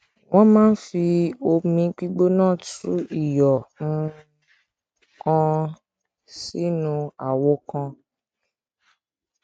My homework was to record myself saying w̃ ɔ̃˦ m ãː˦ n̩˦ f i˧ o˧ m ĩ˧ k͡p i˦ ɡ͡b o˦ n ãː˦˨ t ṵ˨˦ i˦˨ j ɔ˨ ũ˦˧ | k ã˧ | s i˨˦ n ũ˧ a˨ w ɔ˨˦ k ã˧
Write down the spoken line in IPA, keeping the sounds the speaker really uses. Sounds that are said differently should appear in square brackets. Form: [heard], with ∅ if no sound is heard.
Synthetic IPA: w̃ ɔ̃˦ m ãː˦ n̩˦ f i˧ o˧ m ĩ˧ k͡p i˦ ɡ͡b o˦ n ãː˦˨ t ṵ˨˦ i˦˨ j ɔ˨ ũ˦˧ | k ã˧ | s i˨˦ n ũ˧ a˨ w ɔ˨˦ k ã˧

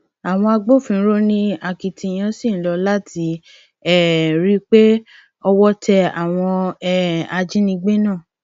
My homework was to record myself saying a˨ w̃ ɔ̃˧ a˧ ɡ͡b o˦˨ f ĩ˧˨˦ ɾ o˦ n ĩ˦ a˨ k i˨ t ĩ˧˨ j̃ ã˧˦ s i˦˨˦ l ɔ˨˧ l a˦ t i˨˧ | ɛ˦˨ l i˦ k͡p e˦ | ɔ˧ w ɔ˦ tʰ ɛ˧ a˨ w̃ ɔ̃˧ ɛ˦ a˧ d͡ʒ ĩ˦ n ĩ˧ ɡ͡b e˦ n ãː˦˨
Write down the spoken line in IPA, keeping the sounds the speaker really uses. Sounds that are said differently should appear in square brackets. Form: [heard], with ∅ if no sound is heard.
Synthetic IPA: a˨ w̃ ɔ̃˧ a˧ ɡ͡b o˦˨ f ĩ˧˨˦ ɾ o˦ n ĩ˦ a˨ k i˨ t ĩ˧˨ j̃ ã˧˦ s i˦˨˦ l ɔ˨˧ l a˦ t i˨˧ | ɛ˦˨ [ɾ] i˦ k͡p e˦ | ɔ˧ w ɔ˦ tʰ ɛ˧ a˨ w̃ ɔ̃˧ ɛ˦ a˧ d͡ʒ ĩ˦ n ĩ˧ ɡ͡b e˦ n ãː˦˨

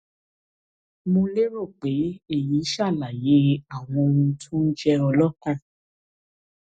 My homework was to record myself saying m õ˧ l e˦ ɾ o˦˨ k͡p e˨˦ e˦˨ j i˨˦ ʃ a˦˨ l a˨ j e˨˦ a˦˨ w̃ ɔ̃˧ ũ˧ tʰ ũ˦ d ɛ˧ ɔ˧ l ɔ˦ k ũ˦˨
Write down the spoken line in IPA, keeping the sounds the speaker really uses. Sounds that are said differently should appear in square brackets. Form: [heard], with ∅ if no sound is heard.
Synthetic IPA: m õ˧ l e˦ ɾ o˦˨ k͡p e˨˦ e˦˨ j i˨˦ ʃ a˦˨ l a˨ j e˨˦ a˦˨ w̃ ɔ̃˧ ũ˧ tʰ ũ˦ [d͡ʒ] ɛ˧ ɔ˧ l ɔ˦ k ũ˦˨

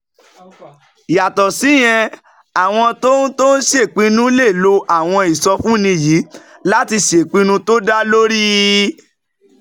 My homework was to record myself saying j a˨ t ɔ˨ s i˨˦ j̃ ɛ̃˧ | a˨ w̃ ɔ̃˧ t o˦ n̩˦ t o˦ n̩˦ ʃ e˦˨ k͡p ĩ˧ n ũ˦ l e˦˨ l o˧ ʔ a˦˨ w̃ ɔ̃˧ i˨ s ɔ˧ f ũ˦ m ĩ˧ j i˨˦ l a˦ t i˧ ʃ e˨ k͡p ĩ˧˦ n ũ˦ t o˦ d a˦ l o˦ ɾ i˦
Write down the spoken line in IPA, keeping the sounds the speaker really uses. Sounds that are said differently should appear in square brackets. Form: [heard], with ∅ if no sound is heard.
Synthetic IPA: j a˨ t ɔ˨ s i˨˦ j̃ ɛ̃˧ | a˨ w̃ ɔ̃˧ t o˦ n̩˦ t o˦ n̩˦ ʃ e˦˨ k͡p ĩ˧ n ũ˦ l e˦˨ l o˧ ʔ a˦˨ w̃ ɔ̃˧ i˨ s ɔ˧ f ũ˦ [n] ĩ˧ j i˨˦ l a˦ t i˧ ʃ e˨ k͡p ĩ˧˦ n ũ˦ t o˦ d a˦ l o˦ ɾ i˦

